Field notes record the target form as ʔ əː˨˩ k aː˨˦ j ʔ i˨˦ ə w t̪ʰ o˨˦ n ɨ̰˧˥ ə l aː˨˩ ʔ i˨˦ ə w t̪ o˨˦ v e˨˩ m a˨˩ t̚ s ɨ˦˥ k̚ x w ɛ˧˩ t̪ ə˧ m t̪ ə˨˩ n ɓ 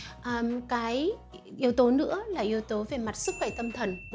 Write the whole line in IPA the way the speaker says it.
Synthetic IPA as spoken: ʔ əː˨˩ k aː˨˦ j ʔ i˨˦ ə w t̪ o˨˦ n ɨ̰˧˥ ə l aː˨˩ ʔ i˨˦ ə w t̪ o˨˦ v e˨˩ m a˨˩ t̚ s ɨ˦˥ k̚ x w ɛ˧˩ t̪ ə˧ m t̪ʰ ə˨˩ n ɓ